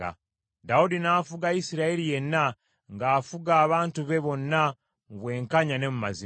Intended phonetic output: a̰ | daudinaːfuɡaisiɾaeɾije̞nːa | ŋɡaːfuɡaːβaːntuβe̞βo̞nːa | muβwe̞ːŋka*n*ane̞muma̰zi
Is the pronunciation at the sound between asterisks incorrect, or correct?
incorrect